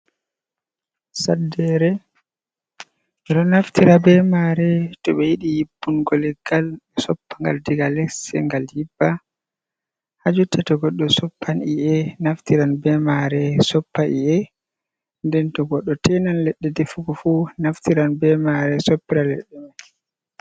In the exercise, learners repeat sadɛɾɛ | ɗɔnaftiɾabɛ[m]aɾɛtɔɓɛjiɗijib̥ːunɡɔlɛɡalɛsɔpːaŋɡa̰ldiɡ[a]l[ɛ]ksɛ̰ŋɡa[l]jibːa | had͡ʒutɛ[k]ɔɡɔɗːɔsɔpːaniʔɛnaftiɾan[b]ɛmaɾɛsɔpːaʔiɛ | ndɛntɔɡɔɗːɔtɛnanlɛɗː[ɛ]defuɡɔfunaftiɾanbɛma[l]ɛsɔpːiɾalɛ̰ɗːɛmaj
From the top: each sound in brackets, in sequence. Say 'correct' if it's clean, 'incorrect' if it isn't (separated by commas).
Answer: correct, correct, correct, correct, incorrect, correct, correct, incorrect